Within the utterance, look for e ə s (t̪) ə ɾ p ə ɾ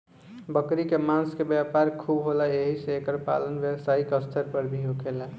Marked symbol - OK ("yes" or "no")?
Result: no